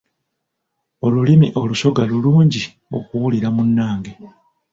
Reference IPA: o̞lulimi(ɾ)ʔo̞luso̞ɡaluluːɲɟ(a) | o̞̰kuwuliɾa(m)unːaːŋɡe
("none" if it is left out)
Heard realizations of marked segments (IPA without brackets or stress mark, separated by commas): none, i, m